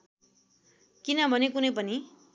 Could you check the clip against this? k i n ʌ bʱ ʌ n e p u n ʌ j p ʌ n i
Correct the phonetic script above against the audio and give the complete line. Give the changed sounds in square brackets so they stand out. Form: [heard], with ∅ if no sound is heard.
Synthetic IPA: k i n ʌ bʱ ʌ n e [k] u n ʌ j p ʌ n i